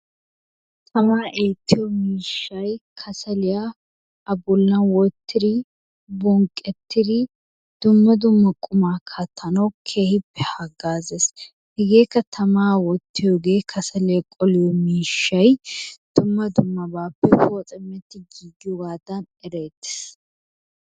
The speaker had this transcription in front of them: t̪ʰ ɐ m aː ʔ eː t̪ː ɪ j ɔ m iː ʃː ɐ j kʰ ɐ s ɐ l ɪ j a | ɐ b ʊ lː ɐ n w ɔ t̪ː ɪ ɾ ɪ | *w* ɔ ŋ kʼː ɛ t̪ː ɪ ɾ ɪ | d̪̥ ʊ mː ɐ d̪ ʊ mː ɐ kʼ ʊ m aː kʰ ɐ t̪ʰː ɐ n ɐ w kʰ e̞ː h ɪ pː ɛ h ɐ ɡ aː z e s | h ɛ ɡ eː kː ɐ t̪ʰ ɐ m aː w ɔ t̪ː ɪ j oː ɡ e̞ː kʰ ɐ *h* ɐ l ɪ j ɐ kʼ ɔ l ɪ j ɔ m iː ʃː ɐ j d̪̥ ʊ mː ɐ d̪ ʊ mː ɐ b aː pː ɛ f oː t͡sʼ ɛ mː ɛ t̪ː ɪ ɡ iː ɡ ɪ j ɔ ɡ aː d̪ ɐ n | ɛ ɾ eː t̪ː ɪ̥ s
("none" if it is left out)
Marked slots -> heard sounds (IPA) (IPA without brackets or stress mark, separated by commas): b, s